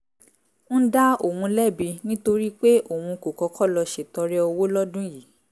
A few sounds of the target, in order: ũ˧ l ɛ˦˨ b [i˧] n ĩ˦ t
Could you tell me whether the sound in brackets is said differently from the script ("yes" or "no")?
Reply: no